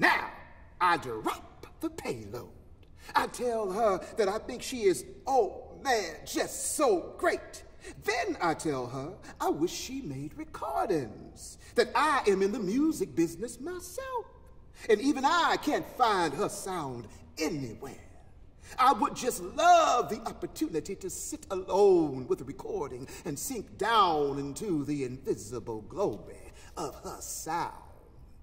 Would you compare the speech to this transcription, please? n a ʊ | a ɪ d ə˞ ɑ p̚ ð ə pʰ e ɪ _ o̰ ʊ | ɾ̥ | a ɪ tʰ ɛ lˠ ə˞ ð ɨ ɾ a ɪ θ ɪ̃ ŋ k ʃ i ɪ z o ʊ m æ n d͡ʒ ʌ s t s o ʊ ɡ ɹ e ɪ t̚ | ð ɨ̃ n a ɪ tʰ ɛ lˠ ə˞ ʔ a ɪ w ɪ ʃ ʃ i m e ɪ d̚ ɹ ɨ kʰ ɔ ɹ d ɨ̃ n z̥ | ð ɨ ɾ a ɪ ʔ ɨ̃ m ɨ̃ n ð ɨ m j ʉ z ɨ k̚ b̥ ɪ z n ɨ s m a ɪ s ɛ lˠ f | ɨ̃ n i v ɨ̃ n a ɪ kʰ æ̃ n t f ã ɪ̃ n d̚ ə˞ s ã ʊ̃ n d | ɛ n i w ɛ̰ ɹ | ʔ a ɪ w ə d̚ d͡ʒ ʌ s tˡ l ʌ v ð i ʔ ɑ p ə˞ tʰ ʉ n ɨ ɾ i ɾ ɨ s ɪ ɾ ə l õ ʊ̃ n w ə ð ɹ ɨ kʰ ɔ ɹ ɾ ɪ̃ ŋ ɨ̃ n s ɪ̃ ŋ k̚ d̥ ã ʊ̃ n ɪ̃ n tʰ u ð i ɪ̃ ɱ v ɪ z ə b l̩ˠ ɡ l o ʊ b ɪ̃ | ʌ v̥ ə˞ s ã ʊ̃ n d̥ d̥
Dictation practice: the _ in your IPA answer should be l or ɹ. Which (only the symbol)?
l